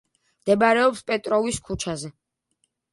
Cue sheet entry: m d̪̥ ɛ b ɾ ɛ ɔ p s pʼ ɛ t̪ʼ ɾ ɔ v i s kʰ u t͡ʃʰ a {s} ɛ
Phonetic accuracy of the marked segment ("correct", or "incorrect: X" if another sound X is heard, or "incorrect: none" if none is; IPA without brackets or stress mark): incorrect: z